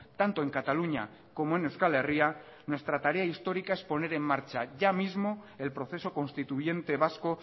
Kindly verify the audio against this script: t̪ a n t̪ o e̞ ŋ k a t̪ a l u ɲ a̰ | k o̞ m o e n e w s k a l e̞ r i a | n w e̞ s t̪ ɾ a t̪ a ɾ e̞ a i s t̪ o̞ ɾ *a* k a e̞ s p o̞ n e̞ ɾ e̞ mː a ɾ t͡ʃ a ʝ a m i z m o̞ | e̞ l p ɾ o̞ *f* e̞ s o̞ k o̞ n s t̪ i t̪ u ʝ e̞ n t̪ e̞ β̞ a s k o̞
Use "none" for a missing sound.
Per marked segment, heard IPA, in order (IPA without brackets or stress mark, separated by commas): i, θ